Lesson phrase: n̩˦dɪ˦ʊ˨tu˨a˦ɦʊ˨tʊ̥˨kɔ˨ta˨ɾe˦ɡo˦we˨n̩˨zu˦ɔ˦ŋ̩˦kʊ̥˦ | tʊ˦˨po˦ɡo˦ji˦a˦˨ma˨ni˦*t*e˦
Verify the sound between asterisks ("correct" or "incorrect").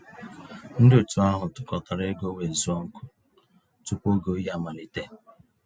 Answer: correct